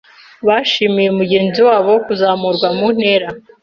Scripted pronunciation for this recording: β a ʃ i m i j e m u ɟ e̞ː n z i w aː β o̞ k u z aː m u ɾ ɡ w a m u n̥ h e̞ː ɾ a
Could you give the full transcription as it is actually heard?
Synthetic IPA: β a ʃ i m i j e m u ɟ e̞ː n z i w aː β o̞ k u z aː m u ɾ ɡ w a m u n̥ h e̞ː ɾ a